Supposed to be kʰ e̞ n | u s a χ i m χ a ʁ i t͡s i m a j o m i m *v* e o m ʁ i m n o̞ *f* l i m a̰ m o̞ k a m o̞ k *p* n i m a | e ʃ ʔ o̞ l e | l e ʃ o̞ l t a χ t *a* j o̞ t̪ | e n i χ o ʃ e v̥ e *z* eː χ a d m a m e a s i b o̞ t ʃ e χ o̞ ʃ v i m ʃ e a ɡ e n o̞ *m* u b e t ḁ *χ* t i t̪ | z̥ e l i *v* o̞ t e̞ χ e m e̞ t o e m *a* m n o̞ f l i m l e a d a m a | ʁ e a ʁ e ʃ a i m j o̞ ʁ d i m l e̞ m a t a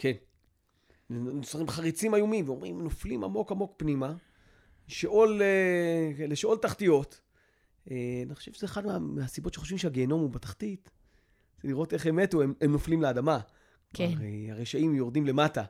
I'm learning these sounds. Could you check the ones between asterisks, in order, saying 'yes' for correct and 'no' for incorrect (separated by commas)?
yes, yes, yes, no, yes, yes, yes, no, no